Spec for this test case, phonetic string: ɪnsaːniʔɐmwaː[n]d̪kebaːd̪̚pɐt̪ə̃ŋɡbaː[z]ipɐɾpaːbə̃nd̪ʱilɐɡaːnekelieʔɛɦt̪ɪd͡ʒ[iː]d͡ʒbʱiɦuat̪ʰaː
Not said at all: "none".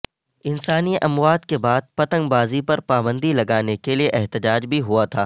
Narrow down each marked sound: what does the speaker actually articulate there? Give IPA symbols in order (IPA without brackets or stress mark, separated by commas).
none, z, aː